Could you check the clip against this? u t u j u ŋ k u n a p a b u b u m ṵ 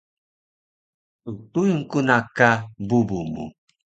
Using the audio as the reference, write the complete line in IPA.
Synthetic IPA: u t u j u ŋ k u n a k a b u b u m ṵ